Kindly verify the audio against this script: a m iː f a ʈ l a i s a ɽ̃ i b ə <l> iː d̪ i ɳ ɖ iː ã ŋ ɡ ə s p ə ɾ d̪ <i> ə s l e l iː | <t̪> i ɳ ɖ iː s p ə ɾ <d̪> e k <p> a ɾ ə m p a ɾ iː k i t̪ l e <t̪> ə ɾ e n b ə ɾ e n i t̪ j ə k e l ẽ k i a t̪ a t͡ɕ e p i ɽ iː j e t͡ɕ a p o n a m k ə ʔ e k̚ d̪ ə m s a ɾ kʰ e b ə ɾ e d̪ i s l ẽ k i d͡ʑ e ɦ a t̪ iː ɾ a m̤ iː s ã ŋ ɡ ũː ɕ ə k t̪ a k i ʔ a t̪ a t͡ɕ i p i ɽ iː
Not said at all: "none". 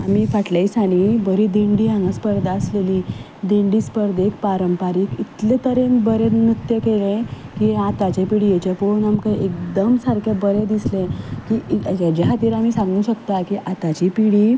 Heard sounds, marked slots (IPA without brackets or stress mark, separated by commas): ɾ, a, d̪, d̪, p, t̪